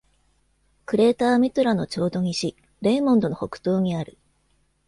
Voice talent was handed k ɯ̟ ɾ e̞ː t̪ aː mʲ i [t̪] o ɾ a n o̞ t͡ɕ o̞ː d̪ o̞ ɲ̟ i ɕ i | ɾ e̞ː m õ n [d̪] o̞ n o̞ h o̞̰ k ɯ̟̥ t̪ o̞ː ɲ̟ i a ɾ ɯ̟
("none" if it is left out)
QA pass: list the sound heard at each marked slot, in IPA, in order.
t̪, d̪

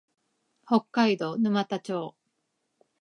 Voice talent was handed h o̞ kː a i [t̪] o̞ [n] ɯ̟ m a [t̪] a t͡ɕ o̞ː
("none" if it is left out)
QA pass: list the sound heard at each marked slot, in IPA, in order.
d̪, n, t̪

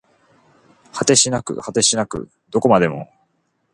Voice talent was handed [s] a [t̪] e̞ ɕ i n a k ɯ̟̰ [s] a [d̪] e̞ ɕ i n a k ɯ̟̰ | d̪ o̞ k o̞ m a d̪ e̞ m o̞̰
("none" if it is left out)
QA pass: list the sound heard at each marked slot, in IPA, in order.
h, t̪, h, t̪

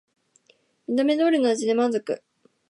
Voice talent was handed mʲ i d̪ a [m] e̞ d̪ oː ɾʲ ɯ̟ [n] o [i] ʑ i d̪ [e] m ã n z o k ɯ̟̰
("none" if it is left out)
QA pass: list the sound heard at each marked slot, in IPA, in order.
m, n, a, e

